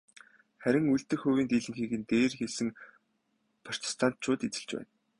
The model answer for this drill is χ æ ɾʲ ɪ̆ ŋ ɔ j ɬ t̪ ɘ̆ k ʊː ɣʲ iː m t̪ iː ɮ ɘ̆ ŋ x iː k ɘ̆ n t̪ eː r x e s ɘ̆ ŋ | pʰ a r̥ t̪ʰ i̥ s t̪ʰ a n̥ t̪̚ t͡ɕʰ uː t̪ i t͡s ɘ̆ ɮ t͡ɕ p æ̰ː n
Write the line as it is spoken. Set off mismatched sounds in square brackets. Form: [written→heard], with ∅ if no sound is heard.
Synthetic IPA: χ æ ɾʲ ɪ̆ ŋ [ɔ→u] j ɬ t̪ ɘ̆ [k→x] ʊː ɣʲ iː [m→n] t̪ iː ɮ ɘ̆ ŋ x iː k ɘ̆ n t̪ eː r x e s ɘ̆ ŋ | pʰ a r̥ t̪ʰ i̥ s t̪ʰ a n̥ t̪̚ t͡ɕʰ [uː→ʊː] t̪ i t͡s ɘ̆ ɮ t͡ɕ p æ̰ː n